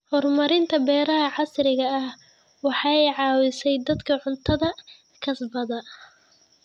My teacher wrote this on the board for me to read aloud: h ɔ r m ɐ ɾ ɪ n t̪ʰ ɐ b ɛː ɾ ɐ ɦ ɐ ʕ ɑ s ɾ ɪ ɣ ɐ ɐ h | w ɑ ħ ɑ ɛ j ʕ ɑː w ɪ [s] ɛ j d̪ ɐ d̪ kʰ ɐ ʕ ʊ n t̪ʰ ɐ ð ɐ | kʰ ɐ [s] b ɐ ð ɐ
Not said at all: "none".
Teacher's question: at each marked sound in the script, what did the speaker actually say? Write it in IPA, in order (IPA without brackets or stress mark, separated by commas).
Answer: s, s